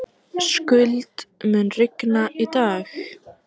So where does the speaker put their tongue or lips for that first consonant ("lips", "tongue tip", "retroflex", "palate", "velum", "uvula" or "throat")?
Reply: tongue tip